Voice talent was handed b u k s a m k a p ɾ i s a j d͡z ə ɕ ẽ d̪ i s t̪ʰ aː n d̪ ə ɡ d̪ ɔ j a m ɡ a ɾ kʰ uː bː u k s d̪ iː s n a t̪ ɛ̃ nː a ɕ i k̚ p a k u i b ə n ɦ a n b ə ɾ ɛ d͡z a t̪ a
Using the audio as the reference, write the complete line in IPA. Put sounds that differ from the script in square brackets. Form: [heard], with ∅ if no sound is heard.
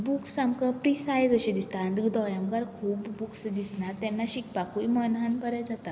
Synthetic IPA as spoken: b u k s a m k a p ɾ i s a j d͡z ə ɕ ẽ d̪ i s [t̪] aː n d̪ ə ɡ d̪ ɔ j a m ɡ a ɾ kʰ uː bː u k s d̪ [i] s n a t̪ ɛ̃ nː a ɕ i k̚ p a k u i [m] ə n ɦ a n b ə ɾ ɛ d͡z a t̪ a